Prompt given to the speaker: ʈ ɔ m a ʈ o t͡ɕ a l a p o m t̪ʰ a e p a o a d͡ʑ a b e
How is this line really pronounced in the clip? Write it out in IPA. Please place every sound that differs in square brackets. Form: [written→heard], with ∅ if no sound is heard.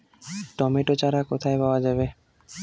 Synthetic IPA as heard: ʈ ɔ m [a→e] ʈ o t͡ɕ a [l→ɾ] a [p→k] o [m→∅] t̪ʰ a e p a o a d͡ʑ a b e